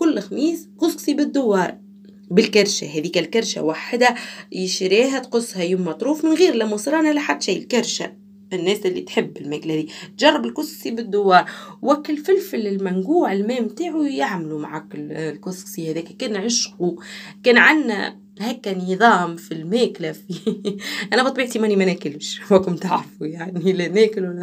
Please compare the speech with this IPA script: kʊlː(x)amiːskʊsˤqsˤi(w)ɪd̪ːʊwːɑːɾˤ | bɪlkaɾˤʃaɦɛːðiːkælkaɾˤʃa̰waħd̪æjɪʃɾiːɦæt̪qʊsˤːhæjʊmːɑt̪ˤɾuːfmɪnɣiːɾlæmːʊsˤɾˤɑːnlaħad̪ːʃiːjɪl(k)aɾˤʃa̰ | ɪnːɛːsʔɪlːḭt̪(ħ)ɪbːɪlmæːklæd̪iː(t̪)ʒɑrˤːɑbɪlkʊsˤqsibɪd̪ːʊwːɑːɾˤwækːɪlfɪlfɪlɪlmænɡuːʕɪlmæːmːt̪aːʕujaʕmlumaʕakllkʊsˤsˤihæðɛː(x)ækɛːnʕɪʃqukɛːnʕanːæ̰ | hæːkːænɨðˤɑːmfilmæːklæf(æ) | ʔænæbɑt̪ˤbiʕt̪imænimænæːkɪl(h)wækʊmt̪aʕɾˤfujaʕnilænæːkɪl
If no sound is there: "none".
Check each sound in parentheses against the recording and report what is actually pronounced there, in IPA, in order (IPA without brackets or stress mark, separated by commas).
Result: x, b, k, ħ, t̪, k, i, ʃ